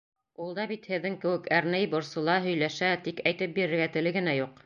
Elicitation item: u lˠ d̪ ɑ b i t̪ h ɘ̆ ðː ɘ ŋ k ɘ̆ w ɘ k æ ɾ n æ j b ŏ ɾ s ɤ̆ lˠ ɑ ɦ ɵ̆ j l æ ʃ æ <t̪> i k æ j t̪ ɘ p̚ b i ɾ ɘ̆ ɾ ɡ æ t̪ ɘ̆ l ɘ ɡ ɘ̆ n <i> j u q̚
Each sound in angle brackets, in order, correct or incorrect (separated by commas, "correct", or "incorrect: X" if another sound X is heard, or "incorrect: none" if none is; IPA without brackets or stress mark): correct, incorrect: æ